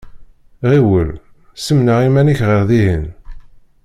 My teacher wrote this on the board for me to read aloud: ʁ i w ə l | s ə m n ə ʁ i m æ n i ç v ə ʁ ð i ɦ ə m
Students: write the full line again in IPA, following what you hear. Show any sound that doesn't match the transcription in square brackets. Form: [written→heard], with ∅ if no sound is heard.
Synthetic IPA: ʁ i w ə l | s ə m n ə ʁ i m æ n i ç [v→ʁ] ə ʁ ð i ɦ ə [m→n]